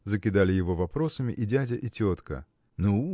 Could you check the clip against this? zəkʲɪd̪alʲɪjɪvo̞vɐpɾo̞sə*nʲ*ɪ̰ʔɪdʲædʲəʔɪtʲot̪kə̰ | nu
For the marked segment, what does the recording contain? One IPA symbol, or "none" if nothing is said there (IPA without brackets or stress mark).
mʲ